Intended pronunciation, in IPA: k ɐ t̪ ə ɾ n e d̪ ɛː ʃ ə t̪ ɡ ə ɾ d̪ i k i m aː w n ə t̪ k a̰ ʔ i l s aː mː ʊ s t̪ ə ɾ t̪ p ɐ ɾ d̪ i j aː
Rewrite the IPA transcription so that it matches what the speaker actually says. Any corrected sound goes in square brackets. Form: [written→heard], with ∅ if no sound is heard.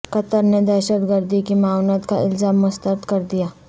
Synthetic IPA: k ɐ t̪ ə ɾ n e d̪ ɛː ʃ ə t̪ ɡ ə ɾ d̪ i k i m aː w n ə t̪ k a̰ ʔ [i→ɪ] l [s→z] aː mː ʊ s t̪ ə ɾ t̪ [p→k] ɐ ɾ d̪ i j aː